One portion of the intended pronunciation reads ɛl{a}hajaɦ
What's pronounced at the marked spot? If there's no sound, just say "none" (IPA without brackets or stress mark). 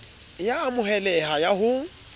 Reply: ɛ